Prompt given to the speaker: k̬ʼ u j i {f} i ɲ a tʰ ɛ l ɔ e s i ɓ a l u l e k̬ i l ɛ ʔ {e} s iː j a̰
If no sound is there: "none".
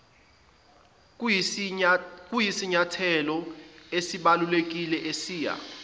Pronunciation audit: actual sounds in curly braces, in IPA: s, e

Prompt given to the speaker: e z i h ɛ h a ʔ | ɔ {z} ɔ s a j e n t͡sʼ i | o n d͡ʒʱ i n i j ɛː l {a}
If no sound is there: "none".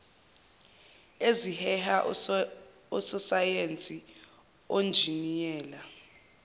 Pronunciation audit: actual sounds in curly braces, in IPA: s, a

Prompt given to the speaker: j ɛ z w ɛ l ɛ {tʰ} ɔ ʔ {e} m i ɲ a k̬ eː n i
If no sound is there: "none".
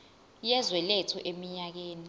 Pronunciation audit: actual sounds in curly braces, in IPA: tʰ, e

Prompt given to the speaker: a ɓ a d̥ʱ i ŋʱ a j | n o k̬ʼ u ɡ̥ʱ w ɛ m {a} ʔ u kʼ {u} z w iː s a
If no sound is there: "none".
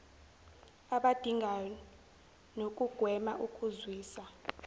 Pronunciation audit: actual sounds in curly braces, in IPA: a, u

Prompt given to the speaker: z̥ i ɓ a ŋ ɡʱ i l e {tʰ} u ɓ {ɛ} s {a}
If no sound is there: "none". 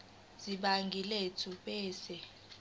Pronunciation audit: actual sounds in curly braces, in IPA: tʰ, ɛː, ɛ

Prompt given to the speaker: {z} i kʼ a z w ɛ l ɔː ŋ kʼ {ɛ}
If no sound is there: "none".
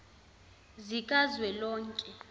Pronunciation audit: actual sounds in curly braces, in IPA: z, ɛ

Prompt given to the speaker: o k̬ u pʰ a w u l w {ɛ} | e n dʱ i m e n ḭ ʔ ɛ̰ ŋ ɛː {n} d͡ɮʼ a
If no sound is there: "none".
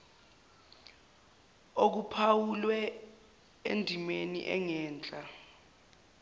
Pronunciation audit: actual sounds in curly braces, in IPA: ɛ, n

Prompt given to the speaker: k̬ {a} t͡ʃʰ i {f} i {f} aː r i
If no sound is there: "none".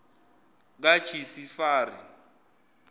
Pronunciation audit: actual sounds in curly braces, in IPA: a, s, f

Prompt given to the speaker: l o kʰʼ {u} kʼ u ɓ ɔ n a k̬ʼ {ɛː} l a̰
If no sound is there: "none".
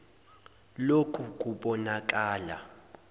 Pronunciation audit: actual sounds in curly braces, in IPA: u, aː

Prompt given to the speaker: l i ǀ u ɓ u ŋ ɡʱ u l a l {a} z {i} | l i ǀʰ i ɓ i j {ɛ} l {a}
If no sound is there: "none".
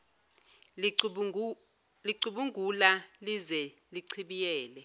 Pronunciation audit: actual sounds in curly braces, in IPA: i, ɛ, ɛː, ɛ

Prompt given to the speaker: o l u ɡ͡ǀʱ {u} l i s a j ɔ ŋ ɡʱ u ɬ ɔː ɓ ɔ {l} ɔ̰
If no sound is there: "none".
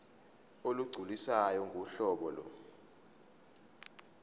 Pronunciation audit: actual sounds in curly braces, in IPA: u, l

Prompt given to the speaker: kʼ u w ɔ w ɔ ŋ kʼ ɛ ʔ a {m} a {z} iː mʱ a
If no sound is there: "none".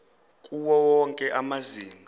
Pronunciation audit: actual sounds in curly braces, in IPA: m, z

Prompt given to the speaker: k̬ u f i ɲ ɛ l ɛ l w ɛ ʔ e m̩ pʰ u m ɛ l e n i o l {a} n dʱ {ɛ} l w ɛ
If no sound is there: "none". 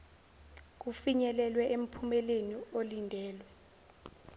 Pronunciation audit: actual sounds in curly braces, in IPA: i, ɛː

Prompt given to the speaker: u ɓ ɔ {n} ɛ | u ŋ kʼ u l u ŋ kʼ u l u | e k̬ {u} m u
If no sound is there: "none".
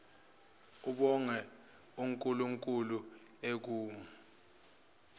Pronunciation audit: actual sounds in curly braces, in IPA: ŋ, uː

